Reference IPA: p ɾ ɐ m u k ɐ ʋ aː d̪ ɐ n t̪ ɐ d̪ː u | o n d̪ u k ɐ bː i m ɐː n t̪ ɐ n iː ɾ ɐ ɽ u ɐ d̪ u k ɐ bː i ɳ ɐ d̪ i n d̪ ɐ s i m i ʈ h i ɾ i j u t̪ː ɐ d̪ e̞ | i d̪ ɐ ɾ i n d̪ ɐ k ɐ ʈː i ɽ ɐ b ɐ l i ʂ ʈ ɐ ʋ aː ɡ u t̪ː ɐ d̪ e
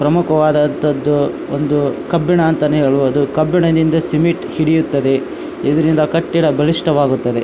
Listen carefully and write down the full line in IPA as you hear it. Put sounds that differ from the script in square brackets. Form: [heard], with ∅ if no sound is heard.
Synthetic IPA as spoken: p ɾ ɐ m u k ɐ ʋ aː d̪ ɐ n t̪ ɐ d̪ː u | o n d̪ u k ɐ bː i [ɳ] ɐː n t̪ ɐ n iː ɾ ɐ [ɭ] u ɐ d̪ u k ɐ bː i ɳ ɐ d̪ i n d̪ ɐ s i m i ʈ h i [ɽ] i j u t̪ː ɐ d̪ e̞ | i d̪ ɐ ɾ i n d̪ ɐ k ɐ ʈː i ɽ ɐ b ɐ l i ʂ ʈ ɐ ʋ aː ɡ u t̪ː ɐ d̪ e

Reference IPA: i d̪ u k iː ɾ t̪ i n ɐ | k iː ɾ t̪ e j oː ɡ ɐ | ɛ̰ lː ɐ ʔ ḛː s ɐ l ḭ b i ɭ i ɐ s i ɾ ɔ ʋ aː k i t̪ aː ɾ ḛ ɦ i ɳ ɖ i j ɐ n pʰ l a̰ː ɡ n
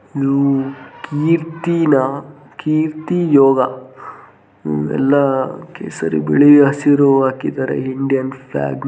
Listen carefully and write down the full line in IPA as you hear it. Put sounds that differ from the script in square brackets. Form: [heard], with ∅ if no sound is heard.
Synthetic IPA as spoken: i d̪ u k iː ɾ t̪ i n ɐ | k iː ɾ t̪ [i] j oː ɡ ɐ | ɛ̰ lː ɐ [k] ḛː s ɐ [ɾ] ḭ b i ɭ i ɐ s i ɾ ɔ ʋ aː k i [d̪] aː ɾ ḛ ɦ i ɳ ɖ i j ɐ n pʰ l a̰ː ɡ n

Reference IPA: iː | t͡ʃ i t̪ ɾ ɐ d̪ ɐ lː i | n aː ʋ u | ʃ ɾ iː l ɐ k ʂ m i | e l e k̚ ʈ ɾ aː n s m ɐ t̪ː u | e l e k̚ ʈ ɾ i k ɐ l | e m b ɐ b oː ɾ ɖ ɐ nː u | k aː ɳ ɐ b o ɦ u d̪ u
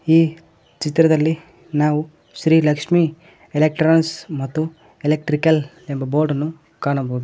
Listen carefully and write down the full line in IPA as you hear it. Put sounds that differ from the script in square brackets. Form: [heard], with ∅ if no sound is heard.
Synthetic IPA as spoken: iː | t͡ʃ i t̪ ɾ ɐ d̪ ɐ lː i | n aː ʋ u | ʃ ɾ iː l ɐ k ʂ m i | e l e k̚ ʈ ɾ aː n s m ɐ t̪ː u | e l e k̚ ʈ ɾ i k ɐ l | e m b ɐ b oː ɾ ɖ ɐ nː u | k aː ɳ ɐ b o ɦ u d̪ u

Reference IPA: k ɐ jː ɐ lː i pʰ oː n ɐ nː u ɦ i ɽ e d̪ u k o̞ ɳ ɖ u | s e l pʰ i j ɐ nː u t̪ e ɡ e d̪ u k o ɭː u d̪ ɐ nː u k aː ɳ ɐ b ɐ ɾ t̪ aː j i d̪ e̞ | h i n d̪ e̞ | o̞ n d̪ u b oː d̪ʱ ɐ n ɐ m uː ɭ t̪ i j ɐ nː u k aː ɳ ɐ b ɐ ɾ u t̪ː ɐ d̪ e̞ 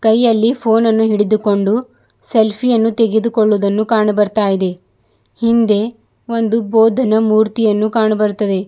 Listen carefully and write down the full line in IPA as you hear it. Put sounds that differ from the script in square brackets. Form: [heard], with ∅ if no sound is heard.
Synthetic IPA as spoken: k ɐ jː ɐ lː i pʰ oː n ɐ nː u ɦ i ɽ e d̪ u k o̞ ɳ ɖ u | s e l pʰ i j ɐ nː u t̪ e ɡ e d̪ u k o ɭː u d̪ ɐ nː u k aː ɳ ɐ b ɐ ɾ t̪ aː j i d̪ e̞ | h i n d̪ e̞ | o̞ n d̪ u b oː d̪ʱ ɐ n ɐ m uː [ɾ] t̪ i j ɐ nː u k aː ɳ ɐ b ɐ ɾ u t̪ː ɐ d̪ e̞

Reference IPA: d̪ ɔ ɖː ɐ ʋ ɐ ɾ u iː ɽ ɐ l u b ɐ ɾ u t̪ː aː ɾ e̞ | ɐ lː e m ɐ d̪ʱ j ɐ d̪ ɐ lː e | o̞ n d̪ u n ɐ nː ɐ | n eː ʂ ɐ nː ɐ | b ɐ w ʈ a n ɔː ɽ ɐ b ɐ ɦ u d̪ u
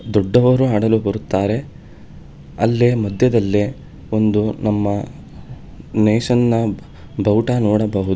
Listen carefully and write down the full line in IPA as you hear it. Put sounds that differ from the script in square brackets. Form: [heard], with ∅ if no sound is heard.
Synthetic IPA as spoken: d̪ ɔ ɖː ɐ ʋ ɐ ɾ u [aː] ɽ ɐ l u b ɐ ɾ u t̪ː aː ɾ e̞ | ɐ lː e m ɐ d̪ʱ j ɐ d̪ ɐ lː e | o̞ n d̪ u n ɐ [mː] ɐ | n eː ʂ ɐ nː ɐ | b ɐ w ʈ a n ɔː ɽ ɐ b ɐ ɦ u d̪ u

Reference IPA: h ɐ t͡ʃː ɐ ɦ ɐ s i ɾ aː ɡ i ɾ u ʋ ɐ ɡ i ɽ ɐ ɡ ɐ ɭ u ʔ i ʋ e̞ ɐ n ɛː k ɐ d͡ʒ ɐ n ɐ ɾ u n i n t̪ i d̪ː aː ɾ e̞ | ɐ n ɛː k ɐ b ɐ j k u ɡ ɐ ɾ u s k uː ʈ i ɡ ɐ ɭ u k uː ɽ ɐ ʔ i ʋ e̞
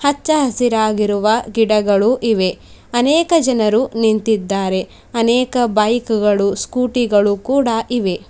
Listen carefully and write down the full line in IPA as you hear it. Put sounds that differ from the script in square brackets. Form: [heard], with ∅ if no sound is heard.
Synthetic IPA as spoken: h ɐ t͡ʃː ɐ ɦ ɐ s i ɾ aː ɡ i ɾ u ʋ ɐ ɡ i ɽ ɐ ɡ ɐ ɭ u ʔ i ʋ e̞ ɐ n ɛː k ɐ d͡ʒ ɐ n ɐ ɾ u n i n t̪ i d̪ː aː ɾ e̞ | ɐ n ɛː k ɐ b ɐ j k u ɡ ɐ [ɭ] u s k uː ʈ i ɡ ɐ ɭ u k uː ɽ ɐ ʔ i ʋ e̞

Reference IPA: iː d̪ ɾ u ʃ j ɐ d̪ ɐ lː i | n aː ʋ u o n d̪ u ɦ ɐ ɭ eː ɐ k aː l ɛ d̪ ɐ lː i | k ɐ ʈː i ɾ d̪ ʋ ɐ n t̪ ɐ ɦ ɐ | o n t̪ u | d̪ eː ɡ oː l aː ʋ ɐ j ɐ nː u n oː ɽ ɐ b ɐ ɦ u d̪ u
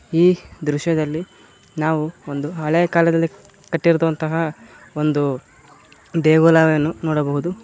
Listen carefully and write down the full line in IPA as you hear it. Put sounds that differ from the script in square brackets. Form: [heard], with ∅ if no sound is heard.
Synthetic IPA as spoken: iː d̪ ɾ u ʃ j ɐ d̪ ɐ lː i | n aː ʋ u o n d̪ u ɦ ɐ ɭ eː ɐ k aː l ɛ d̪ ɐ lː i | k ɐ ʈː i ɾ d̪ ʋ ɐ n t̪ ɐ ɦ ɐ | o n [d̪] u | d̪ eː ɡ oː l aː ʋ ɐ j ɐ nː u n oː ɽ ɐ b ɐ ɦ u d̪ u

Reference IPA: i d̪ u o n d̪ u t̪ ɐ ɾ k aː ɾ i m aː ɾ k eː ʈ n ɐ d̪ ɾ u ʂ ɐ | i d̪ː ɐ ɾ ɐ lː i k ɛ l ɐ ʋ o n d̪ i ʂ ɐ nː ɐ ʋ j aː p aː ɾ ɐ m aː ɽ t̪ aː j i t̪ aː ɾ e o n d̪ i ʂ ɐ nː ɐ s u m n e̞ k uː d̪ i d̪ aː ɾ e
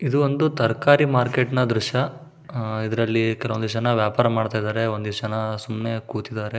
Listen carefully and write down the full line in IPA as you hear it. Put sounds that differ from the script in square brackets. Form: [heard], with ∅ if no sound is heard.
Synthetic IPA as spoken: i d̪ u o n d̪ u t̪ ɐ ɾ k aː ɾ i m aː ɾ k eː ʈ n ɐ d̪ ɾ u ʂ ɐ | i [d̪] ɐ ɾ ɐ lː i k ɛ l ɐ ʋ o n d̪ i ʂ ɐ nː ɐ ʋ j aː p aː ɾ ɐ m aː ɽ t̪ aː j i [d̪] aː ɾ e o n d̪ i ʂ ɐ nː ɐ s u m n e̞ k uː [t̪] i d̪ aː ɾ e

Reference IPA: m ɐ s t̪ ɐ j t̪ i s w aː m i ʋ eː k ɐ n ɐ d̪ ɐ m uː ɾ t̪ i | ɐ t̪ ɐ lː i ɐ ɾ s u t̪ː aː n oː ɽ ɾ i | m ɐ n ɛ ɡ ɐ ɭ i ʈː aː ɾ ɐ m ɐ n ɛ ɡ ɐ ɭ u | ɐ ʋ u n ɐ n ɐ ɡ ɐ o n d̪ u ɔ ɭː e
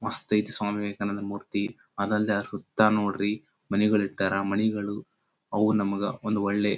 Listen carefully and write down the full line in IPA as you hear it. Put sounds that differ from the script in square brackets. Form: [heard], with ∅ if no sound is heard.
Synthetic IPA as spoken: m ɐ s t̪ ɐ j t̪ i s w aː m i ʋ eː k ɐ n ɐ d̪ ɐ m uː ɾ t̪ i | ɐ [d̪] ɐ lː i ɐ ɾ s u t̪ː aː n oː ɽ ɾ i | m ɐ n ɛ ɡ ɐ ɭ i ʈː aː ɾ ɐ m ɐ n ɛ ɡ ɐ ɭ u | ɐ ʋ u n ɐ [m] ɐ ɡ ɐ o n d̪ u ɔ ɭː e

